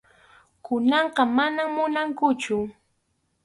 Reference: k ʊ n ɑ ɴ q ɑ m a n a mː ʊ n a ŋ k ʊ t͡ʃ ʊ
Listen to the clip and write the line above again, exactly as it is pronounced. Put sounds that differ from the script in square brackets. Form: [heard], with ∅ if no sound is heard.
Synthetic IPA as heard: k ʊ n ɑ ɴ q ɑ m a n a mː ʊ n a ŋ k ʊ t͡ʃ ʊ